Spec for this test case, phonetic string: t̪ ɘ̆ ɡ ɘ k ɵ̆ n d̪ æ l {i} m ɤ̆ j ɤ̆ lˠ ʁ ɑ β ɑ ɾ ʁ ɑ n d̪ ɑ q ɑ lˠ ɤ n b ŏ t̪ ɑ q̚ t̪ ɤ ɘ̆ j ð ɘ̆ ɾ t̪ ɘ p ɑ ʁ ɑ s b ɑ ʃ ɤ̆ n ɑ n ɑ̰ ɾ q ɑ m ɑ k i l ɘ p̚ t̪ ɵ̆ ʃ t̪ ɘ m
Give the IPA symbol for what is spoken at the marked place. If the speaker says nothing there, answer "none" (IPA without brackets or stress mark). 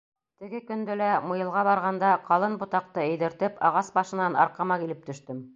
æ